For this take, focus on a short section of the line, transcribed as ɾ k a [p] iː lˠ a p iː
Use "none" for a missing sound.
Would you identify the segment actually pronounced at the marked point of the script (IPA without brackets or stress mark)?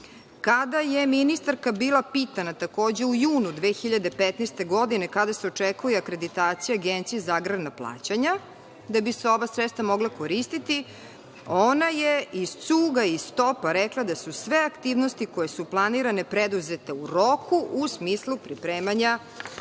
b